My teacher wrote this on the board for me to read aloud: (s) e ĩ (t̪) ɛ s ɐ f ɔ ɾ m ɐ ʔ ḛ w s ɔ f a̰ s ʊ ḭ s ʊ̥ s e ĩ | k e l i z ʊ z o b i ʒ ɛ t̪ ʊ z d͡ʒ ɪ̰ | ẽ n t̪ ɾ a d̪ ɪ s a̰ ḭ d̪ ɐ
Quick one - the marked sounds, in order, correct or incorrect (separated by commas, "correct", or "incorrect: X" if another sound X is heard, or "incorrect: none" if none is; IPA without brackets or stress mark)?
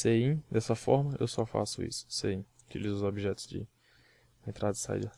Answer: correct, incorrect: d̪